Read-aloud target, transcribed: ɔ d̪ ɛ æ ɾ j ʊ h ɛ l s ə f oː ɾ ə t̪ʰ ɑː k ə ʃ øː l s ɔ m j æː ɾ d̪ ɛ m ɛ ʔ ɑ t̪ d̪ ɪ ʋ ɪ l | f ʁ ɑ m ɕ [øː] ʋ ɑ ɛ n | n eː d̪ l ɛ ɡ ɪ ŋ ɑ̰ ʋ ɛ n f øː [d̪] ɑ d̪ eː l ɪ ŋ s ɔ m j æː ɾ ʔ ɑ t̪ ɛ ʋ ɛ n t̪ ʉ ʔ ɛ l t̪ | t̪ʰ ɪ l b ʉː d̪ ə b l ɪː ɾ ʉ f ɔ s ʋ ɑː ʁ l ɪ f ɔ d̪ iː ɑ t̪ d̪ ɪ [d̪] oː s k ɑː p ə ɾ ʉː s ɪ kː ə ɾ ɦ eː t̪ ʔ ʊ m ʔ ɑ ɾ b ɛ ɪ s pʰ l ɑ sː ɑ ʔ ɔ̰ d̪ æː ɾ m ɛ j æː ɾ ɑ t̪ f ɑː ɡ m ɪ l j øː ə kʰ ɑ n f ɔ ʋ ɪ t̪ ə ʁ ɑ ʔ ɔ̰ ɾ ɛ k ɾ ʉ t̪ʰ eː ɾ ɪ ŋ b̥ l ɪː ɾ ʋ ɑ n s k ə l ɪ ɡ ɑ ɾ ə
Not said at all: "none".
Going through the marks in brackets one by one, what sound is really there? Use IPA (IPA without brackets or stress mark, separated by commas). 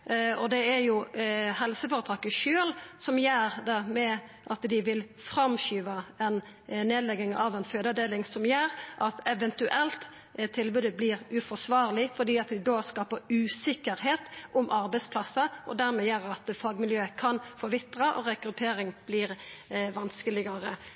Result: yː, d̪, d̪